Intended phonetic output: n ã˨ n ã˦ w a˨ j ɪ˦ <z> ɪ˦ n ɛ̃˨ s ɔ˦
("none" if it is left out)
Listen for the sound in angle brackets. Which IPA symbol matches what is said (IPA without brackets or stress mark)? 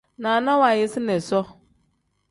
s